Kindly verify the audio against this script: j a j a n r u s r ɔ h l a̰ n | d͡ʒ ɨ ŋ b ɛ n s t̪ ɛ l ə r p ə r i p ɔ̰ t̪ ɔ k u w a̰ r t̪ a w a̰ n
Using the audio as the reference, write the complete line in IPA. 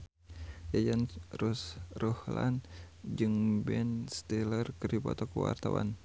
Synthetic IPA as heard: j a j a n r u s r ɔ h l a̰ n | d͡ʒ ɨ ŋ b ɛ n s t̪ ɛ l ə r k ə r i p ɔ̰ t̪ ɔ k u w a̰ r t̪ a w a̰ n